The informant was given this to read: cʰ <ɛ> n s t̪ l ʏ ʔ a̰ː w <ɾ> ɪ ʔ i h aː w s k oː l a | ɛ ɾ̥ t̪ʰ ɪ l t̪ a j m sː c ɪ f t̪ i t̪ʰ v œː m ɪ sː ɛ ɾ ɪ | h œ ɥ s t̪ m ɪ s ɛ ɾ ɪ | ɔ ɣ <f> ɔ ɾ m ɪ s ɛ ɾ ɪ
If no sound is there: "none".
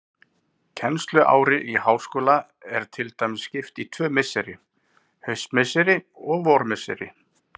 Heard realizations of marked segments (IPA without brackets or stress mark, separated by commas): ɛ, ɾ, v